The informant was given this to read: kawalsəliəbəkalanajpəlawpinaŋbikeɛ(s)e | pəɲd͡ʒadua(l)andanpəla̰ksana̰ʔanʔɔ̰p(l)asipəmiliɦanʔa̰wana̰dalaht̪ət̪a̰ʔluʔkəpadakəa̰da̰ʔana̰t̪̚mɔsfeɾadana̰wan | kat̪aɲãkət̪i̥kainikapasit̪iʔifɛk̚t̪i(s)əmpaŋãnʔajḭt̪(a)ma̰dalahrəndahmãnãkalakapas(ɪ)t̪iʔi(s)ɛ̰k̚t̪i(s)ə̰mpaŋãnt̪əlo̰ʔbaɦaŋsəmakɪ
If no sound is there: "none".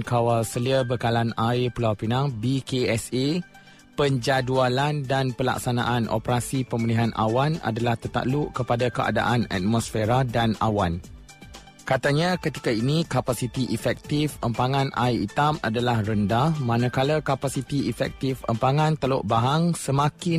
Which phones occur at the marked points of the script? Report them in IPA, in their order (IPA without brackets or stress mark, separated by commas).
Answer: s, l, ɾ, f, a, i, f, f